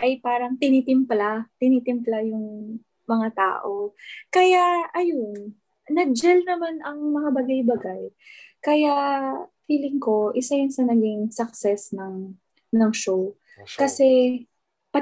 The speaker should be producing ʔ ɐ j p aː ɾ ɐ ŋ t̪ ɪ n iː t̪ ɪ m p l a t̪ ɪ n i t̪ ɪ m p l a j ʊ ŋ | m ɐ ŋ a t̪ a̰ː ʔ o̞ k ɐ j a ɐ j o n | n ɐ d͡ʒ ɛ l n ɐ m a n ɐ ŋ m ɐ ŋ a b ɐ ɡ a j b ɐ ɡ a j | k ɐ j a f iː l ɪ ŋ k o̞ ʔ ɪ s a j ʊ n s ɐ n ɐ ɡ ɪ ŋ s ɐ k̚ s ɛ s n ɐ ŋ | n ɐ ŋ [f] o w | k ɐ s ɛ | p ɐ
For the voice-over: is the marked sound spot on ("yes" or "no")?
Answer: no